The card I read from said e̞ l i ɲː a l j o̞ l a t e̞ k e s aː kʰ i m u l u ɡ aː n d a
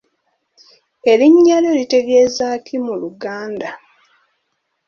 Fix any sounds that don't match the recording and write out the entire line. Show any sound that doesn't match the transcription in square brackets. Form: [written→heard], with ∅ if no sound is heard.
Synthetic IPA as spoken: e̞ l i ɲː a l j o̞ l [a→i] t e̞ [k→ɡ] e [s→z] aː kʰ i m u l u ɡ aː n d a